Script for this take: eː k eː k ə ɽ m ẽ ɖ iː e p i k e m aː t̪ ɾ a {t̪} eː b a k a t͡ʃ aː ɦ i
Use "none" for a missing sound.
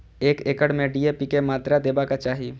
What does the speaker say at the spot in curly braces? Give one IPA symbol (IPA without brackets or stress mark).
d̪